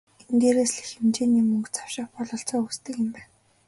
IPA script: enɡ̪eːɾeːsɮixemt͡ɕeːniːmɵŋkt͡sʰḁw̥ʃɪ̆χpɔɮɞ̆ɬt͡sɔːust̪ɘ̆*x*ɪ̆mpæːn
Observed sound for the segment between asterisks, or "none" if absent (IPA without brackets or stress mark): k